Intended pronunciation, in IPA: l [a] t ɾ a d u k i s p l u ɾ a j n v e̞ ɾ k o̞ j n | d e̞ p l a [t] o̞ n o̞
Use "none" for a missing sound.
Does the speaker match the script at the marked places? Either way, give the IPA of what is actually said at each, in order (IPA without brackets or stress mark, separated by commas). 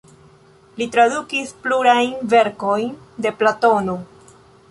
i, t